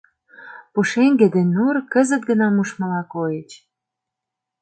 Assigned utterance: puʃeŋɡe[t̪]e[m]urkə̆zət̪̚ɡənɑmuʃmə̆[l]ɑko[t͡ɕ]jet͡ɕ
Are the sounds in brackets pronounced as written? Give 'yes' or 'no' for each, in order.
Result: no, no, yes, no

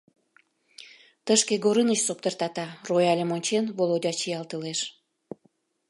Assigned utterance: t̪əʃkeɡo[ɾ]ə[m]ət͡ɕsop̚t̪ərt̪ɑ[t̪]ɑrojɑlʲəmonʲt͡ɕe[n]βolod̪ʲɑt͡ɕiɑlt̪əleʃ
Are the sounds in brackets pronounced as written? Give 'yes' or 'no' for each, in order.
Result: yes, no, yes, yes

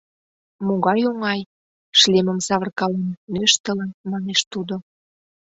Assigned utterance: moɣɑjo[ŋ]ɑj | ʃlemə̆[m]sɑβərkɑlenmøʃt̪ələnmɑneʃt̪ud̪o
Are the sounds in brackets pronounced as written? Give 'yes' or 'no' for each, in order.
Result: yes, yes

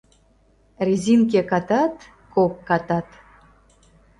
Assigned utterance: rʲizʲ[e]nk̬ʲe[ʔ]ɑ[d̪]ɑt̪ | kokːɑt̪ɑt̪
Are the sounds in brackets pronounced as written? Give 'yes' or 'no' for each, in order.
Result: no, no, no

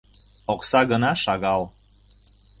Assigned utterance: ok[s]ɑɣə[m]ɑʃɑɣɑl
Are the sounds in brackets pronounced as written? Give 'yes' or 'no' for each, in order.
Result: yes, no

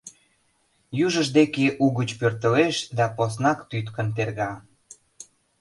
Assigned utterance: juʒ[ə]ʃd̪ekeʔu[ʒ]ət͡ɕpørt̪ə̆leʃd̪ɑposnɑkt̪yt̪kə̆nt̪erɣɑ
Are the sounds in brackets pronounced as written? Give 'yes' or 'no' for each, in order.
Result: yes, no

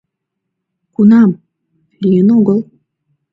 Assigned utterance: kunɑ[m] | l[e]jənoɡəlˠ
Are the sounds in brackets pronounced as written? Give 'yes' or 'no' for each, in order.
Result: yes, no

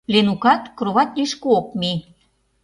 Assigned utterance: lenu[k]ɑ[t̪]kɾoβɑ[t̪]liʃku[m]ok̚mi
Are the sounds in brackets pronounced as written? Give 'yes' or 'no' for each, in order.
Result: yes, yes, yes, no

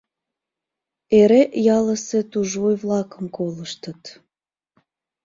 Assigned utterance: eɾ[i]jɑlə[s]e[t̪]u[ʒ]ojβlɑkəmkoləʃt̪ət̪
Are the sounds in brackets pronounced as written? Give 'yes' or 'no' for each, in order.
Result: no, yes, yes, yes

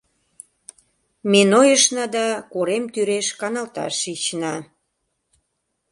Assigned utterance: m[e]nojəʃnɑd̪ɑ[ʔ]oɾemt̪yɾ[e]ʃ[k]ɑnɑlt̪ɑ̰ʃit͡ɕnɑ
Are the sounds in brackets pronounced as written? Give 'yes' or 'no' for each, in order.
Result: yes, no, yes, yes

